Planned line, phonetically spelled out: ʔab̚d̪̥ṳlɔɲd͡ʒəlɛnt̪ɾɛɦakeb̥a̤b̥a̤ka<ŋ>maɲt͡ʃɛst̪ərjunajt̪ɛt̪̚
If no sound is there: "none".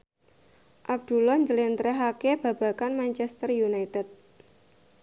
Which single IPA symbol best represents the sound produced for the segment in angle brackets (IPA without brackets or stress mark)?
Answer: n